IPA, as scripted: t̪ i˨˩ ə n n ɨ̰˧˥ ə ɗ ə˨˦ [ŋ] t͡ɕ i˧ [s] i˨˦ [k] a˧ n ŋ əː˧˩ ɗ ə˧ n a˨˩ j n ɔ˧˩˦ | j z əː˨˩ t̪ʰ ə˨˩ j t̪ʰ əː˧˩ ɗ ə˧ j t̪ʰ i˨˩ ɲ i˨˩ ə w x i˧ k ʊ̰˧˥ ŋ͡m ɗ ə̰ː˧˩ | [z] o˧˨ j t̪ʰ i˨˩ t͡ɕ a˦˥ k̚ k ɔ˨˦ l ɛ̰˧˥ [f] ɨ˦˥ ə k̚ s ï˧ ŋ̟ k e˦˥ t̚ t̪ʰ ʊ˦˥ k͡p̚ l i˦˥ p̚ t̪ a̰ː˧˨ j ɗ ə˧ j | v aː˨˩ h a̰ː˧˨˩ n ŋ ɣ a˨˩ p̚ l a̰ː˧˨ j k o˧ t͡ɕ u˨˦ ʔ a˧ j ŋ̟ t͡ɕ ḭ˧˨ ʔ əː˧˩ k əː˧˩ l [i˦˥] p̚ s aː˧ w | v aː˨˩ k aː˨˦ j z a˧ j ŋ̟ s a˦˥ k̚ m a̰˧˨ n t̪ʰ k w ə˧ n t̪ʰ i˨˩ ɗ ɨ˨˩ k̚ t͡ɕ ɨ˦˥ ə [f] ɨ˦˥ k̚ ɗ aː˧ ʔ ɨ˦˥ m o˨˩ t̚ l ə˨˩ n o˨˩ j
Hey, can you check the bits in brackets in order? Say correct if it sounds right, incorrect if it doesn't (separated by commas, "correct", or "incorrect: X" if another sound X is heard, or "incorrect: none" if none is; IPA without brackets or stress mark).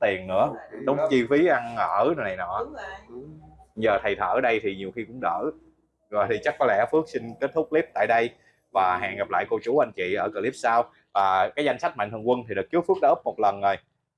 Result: incorrect: ŋ͡m, incorrect: f, incorrect: ʔ, correct, correct, correct, correct